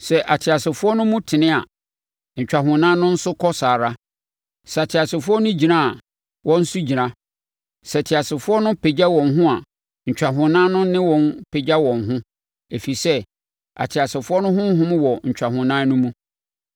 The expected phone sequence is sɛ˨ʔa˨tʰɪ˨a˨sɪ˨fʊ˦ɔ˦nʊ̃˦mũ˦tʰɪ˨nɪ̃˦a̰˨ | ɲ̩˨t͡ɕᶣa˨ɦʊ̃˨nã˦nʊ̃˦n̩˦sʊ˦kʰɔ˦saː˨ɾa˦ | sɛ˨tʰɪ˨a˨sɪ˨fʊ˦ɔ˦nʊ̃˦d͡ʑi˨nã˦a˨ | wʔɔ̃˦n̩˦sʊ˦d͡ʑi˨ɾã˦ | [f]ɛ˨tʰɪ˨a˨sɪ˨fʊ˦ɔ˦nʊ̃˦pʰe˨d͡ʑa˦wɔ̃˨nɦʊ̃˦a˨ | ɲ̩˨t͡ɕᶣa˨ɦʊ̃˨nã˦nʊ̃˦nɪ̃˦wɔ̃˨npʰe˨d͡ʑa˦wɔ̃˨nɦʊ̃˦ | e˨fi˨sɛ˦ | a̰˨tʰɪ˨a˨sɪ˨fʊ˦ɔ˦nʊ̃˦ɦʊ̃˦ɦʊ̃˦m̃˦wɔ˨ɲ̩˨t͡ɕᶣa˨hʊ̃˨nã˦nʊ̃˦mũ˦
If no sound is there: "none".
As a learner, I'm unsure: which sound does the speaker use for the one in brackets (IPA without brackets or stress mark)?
s